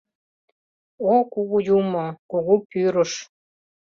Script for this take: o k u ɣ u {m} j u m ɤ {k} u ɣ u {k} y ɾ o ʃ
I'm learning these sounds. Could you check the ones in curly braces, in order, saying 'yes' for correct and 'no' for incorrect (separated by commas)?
no, yes, no